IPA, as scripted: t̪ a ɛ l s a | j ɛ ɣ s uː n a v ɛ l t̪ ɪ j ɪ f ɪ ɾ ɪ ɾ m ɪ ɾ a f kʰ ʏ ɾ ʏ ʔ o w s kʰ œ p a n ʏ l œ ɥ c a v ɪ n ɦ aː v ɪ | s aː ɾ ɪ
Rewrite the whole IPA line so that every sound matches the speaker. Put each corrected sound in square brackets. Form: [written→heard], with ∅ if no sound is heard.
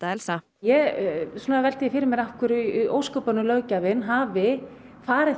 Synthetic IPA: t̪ a ɛ l s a | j ɛ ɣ s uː n a v ɛ l t̪ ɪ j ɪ f ɪ ɾ ɪ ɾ m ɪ ɾ a f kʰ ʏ ɾ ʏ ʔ o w s [kʰ→k] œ p a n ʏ l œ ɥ c a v ɪ n ɦ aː v ɪ | [s→f] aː ɾ ɪ